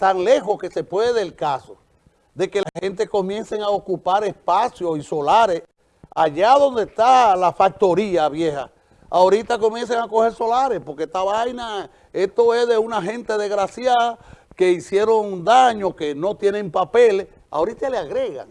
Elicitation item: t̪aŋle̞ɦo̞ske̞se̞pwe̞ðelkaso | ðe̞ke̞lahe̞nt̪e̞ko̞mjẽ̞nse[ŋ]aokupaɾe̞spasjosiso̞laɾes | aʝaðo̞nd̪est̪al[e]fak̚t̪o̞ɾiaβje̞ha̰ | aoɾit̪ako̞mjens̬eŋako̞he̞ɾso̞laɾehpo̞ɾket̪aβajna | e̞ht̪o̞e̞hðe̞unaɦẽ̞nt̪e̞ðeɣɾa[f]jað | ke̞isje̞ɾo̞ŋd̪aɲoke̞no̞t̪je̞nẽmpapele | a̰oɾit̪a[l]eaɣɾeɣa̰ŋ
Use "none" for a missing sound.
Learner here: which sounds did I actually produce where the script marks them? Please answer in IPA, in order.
ŋ, a, s, l

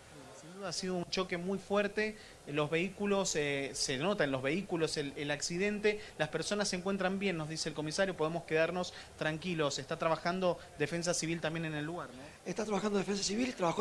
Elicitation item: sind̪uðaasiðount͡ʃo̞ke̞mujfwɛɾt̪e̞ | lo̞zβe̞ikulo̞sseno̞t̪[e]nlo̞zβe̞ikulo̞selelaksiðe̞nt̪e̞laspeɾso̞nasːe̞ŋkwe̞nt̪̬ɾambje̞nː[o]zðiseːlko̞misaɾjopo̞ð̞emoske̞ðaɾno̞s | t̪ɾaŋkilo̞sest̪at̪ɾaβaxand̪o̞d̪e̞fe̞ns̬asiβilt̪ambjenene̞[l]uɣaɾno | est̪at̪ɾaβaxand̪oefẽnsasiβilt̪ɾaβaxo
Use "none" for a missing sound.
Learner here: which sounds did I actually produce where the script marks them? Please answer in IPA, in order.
a, o, lː

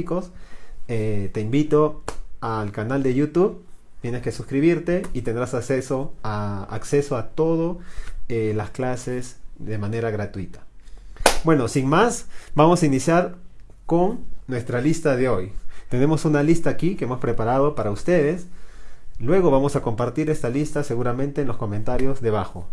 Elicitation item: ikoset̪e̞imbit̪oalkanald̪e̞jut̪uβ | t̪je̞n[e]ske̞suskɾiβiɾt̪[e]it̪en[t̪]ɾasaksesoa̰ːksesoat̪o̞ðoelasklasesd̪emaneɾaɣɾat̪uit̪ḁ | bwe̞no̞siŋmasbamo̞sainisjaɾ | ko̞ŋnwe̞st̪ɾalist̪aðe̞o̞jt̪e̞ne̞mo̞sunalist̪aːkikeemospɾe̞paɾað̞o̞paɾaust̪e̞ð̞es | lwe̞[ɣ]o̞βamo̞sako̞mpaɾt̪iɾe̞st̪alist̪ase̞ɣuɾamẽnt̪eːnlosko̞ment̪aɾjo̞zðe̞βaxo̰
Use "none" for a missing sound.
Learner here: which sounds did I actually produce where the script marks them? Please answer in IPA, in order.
e, e, d̪, ɣ

